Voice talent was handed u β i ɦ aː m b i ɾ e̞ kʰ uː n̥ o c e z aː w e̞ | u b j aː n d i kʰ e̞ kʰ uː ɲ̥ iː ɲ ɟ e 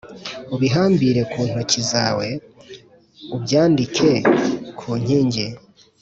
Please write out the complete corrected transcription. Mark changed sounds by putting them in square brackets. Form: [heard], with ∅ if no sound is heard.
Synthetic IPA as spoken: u β i ɦ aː m b i ɾ e̞ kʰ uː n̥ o c [i] z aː w e̞ | u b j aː n d i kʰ e̞ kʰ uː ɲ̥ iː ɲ ɟ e

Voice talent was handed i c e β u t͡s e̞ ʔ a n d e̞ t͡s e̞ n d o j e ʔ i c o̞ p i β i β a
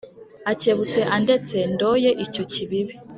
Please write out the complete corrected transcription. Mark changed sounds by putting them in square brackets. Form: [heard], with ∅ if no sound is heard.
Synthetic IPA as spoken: [a] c e β u t͡s e̞ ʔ a n d e̞ t͡s e̞ n d o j e ʔ i c o̞ [c] i β i β [i]

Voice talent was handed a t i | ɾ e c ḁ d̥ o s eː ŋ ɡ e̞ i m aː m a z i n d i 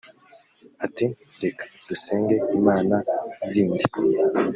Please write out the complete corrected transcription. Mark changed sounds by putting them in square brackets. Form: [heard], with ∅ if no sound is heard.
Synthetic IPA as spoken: a t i | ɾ e [k] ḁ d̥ [u] s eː ŋ ɡ e̞ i m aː [n] a z [iː] n d i

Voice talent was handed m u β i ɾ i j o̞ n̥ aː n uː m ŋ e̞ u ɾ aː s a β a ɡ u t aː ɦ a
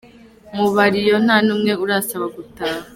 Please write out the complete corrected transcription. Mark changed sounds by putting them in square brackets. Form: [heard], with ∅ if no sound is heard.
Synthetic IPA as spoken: m u β [a] ɾ i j o̞ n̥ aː n uː m ŋ e̞ u ɾ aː s a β a ɡ u t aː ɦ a

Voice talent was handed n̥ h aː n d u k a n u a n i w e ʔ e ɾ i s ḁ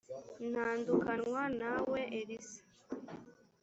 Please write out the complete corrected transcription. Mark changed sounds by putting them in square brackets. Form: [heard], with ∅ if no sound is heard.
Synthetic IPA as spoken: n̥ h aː n d u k a n [w] a n [a] w e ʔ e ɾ i s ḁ

